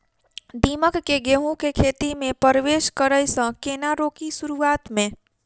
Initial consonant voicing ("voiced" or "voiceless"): voiced